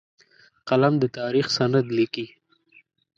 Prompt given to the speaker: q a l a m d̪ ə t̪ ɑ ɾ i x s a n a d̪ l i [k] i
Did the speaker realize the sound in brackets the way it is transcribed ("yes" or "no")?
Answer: yes